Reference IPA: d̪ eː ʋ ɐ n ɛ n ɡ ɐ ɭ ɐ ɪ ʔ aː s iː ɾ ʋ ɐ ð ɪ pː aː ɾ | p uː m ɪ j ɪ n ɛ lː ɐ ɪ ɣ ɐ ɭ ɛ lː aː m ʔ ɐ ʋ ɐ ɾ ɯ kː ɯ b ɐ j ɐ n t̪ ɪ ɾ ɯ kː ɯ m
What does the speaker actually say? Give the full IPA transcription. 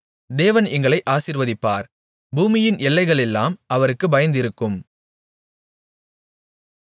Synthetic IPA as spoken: d̪ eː ʋ ɐ n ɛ ŋ ɡ ɐ ɭ ɐ ɪ ʔ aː s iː ɾ ʋ ɐ ð ɪ pː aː ɾ | b uː m ɪ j ɪ n ɛ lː ɐ ɪ ɣ ɐ ɭ ɛ lː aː m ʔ ɐ ʋ ɐ ɾ ɯ kː ɯ b ɐ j ɐ n d̪ ɪ ɾ ɯ kː ɯ m